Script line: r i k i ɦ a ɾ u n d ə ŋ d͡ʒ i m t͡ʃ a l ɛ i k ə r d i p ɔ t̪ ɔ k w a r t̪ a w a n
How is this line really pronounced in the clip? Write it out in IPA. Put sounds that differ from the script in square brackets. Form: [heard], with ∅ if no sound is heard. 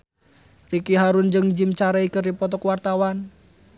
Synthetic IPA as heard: r i k i ɦ a ɾ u n [d͡ʒ] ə ŋ d͡ʒ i m t͡ʃ a [ɾ] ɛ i k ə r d i p ɔ t̪ ɔ k w a r t̪ a w a n